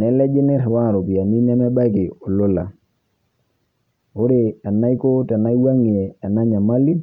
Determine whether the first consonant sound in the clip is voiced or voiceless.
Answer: voiced